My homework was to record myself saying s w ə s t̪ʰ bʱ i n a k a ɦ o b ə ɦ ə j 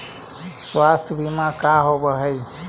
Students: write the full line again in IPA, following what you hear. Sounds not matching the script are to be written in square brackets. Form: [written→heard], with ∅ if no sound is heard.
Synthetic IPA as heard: s w [ə→a] s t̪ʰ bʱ i [n→m] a k a ɦ o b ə ɦ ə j